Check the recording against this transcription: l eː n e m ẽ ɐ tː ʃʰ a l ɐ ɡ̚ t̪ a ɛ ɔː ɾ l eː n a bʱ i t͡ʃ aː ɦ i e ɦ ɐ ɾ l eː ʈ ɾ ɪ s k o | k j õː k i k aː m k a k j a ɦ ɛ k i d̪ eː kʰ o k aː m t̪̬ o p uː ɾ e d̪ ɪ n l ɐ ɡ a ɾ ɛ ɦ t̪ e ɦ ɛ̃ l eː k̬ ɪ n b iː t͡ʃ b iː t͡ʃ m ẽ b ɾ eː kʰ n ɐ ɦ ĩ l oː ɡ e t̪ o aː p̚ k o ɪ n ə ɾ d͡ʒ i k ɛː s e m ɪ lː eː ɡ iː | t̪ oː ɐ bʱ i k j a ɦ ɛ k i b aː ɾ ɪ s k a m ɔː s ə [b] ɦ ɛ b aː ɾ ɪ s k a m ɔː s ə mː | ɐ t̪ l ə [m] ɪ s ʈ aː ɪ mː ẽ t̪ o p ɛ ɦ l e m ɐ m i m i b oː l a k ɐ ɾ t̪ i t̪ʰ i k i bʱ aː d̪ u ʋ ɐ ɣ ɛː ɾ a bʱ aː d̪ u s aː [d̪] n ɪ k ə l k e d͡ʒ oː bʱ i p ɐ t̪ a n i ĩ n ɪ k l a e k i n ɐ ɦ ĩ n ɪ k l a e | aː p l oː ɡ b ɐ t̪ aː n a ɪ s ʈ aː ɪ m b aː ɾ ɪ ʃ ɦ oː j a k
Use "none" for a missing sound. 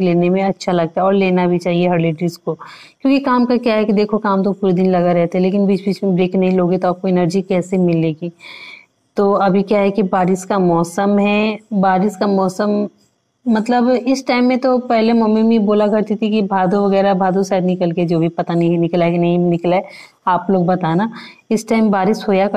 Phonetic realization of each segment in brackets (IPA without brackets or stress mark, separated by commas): m, b, d̪